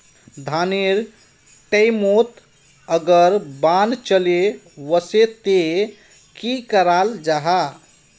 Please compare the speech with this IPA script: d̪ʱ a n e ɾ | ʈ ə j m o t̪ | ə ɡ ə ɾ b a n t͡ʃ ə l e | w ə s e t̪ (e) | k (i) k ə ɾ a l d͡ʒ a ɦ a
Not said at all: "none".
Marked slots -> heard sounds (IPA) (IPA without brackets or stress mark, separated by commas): e, i